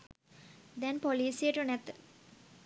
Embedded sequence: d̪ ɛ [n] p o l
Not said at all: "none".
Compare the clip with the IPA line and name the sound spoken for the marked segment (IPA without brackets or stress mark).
n